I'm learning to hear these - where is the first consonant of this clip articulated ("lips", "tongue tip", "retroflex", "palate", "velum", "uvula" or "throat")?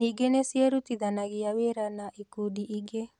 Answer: velum